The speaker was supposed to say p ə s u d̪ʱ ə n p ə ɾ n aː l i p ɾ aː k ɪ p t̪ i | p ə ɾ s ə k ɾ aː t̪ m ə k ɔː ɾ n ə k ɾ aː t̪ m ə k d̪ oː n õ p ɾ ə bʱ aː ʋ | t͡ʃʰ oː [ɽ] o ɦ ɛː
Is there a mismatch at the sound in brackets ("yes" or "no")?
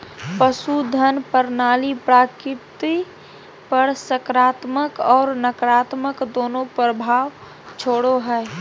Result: no